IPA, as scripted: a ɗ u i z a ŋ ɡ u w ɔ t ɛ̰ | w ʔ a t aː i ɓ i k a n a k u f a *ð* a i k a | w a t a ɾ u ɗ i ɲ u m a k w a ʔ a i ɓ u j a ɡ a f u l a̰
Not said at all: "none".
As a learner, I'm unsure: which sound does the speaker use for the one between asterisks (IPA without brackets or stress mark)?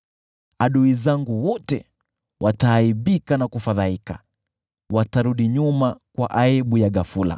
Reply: ð